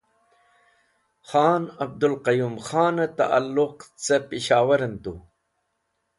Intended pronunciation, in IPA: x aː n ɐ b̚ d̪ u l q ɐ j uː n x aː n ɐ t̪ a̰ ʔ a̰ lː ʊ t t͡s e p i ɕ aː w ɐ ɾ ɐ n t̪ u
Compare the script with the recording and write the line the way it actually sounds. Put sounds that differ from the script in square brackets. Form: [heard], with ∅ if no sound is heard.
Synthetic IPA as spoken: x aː n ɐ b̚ d̪ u l q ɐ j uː [m] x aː n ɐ t̪ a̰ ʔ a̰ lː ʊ [q] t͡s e p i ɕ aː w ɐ ɾ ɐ n t̪ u

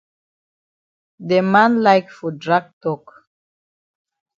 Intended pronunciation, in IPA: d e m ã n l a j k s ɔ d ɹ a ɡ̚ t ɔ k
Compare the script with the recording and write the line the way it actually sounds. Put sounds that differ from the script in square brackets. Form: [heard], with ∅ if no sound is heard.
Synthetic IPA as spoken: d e m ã n l a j k [f] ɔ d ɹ a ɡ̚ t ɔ k

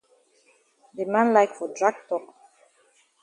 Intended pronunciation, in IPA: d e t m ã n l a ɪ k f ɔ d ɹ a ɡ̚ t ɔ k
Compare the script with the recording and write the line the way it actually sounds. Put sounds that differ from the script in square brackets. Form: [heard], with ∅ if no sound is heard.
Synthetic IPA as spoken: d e [∅] m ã n l a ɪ k f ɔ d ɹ a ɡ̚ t ɔ k

